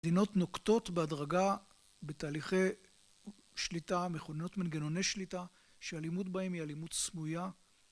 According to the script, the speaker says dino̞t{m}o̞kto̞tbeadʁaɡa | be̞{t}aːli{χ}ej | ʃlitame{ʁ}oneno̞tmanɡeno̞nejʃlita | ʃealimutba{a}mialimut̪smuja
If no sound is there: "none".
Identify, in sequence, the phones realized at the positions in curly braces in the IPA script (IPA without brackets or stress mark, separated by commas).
n, t, χ, χ, e